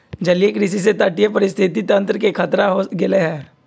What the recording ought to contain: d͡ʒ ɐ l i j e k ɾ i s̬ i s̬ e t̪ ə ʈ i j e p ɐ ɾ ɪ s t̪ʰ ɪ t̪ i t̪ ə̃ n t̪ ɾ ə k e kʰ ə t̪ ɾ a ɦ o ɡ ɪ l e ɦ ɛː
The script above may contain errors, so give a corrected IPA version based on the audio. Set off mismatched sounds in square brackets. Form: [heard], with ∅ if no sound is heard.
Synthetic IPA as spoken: d͡ʒ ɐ l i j e k ɾ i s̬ i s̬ e t̪ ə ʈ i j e p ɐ ɾ ɪ s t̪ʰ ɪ t̪ i t̪ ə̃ n t̪ ɾ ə k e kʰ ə t̪ ɾ a ɦ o ɡ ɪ l e ɦ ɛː